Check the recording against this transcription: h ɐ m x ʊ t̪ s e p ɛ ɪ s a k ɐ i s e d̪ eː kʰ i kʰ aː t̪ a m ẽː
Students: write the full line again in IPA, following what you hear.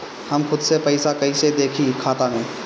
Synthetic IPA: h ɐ m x ʊ d̪ s e p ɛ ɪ s a k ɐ i s e d̪ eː kʰ i kʰ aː t̪ a m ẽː

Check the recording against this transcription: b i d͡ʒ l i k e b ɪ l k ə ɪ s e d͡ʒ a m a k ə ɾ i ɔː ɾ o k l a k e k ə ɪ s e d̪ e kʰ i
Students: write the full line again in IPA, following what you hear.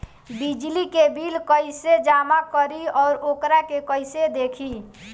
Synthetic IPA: b i d͡ʒ l i k e b i l k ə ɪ s e d͡ʒ a m a k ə ɾ i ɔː ɾ o k ɾ a k e k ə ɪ s e d̪ e kʰ i

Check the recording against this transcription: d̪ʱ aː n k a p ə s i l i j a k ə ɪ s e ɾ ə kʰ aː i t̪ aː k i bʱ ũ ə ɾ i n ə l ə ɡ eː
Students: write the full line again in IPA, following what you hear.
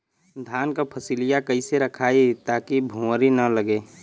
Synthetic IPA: d̪ʱ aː n k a pʰ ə s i l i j a k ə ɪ s e ɾ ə kʰ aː i t̪ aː k i bʱ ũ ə ɾ i n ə l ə ɡ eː

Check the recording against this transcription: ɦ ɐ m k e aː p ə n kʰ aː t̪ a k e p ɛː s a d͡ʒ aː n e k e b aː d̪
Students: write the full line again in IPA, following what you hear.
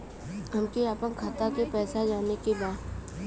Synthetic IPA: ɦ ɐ m k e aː p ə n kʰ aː t̪ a k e p ɛː s a d͡ʒ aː n e k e b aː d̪

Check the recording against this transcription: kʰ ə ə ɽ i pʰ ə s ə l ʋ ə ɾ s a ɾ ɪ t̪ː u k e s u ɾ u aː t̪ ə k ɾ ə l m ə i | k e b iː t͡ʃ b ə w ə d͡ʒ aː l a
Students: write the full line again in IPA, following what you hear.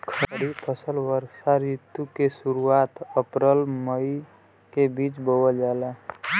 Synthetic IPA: kʰ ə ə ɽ i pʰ ə s ə l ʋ ə ɾ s a ɾ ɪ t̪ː u k e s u ɾ u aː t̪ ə p ɾ ə l m ə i | k e b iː t͡ʃ b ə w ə d͡ʒ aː l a

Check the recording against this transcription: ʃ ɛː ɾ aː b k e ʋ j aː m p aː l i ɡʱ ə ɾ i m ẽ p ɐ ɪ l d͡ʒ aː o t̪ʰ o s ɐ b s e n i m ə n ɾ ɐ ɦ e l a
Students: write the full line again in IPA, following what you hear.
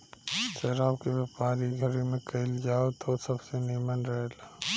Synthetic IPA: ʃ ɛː ɾ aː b k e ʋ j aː p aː ɾ i ɡʱ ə ɾ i m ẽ k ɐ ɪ l d͡ʒ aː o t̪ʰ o s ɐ b s e n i m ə n ɾ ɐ ɦ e l a

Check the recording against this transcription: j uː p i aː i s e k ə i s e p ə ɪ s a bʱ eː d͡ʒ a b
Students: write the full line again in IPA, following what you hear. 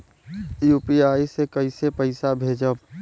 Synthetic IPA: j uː p i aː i s e k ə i s e p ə ɪ s a bʱ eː d͡ʒ ə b

